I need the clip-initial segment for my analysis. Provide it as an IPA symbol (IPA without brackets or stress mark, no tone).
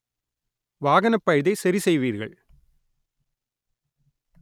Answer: ʋ